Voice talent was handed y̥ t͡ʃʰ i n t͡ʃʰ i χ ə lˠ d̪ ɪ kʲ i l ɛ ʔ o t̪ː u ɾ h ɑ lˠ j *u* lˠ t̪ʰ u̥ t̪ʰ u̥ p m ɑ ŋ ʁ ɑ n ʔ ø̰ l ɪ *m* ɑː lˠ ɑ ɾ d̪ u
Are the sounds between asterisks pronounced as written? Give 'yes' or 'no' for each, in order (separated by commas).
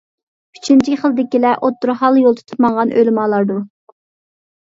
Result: no, yes